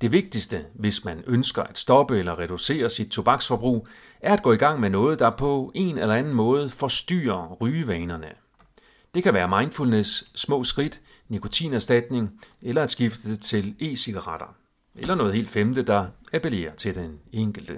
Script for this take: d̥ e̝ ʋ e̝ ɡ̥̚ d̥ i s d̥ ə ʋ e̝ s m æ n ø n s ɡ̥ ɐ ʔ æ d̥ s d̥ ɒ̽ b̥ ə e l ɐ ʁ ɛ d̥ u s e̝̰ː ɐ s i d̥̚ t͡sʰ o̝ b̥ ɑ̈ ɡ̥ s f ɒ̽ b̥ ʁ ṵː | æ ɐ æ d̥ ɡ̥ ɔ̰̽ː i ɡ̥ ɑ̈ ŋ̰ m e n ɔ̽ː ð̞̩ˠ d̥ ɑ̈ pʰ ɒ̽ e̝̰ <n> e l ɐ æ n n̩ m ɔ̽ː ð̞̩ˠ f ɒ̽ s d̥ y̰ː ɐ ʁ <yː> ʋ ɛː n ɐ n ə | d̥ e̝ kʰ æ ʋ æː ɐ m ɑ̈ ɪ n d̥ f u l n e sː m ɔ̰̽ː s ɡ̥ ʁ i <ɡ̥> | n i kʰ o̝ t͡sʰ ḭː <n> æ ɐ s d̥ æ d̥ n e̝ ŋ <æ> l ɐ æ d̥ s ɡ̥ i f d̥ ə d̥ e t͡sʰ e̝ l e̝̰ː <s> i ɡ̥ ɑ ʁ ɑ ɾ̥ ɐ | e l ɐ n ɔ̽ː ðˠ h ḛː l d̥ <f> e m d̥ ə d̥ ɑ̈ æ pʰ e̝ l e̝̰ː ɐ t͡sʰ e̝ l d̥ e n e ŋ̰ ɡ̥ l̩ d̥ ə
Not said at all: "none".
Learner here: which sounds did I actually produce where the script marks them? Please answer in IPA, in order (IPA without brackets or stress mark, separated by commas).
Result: n, yː, d̥, n, e, s, f